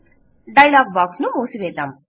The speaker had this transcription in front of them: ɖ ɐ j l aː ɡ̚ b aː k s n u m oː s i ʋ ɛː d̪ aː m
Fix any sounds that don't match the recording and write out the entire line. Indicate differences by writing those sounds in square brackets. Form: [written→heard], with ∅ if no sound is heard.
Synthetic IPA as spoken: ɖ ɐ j l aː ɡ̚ b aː k s n u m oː s i ʋ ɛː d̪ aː m

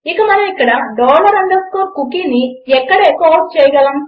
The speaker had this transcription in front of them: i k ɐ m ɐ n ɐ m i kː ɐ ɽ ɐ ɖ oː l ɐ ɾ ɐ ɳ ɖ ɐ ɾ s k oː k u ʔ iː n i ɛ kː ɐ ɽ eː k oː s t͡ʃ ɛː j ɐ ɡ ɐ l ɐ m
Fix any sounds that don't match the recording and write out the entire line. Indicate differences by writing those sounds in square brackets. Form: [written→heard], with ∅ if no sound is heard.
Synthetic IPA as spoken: i k ɐ m ɐ n ɐ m i kː ɐ ɽ ɐ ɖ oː l ɐ ɾ ɐ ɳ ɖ ɐ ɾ s k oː k u [ʔ→k] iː n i ɛ kː ɐ ɽ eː k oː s t͡ʃ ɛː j ɐ ɡ ɐ l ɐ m

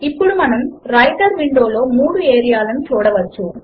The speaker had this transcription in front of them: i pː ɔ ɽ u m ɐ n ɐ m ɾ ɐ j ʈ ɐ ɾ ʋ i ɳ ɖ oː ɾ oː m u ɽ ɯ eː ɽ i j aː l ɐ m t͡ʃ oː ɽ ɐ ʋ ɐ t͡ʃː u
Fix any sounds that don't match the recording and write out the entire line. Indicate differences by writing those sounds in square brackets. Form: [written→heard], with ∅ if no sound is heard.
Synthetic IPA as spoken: i pː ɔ ɽ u m ɐ n ɐ m ɾ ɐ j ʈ ɐ ɾ ʋ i ɳ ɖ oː [ɾ→l] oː m [u→uː] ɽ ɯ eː [ɽ→ɾ] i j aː l ɐ m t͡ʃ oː ɽ ɐ ʋ ɐ t͡ʃː u

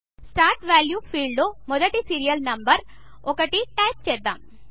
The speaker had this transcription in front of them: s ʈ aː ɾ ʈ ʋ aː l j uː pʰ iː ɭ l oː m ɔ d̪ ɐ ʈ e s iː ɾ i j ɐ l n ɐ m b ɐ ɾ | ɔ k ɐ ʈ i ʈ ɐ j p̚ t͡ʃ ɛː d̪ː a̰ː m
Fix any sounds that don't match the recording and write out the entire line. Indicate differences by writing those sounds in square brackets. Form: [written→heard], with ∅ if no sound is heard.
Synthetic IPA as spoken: s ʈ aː ɾ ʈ ʋ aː l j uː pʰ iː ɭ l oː m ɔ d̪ ɐ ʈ [e→i] s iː ɾ i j ɐ l n ɐ m b ɐ ɾ | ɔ k ɐ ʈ i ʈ ɐ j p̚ t͡ʃ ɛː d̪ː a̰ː m

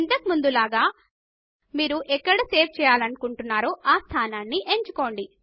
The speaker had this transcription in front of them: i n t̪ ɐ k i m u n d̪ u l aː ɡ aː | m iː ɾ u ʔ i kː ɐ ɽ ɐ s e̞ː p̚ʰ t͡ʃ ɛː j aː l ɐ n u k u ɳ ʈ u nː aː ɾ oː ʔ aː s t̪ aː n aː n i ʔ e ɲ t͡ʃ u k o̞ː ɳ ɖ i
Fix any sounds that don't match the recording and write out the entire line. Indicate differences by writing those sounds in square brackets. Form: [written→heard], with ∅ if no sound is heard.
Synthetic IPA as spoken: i n t̪ ɐ k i m u n d̪ u l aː ɡ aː | m iː ɾ u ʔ [i→ɛ] kː ɐ ɽ ɐ s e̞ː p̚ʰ t͡ʃ ɛː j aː l ɐ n u k u ɳ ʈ u nː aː ɾ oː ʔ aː s [t̪→t̪ʰ] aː n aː [n→nː] i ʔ e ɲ t͡ʃ u k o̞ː ɳ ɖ i

